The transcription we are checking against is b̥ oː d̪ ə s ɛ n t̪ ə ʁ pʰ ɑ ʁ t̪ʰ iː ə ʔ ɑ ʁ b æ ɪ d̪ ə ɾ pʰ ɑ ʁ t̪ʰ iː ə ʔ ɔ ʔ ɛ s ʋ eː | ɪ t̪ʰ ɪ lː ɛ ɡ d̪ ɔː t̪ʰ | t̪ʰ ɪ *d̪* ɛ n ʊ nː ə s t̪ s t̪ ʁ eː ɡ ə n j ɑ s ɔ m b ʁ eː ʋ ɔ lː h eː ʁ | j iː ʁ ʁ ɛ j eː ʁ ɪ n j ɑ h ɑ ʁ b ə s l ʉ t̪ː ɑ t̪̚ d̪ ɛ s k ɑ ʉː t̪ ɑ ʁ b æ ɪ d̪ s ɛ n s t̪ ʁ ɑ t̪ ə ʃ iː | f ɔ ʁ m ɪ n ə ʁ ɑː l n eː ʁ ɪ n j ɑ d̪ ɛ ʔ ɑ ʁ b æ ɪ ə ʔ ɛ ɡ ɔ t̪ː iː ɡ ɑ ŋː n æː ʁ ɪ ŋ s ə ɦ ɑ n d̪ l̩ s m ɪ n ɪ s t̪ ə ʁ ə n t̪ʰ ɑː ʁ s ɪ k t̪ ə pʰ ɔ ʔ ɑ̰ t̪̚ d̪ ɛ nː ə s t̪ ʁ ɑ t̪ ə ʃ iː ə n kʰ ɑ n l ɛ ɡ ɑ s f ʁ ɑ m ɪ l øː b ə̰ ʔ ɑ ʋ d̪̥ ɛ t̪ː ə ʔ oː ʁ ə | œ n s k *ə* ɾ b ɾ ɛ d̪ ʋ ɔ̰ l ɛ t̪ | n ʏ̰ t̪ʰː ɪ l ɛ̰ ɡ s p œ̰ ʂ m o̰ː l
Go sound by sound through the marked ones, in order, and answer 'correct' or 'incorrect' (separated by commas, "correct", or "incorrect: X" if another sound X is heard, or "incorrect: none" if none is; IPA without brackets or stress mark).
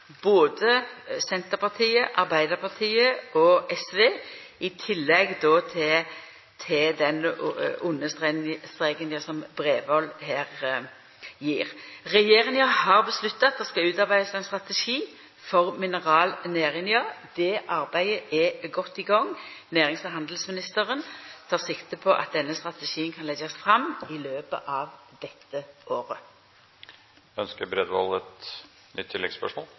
correct, correct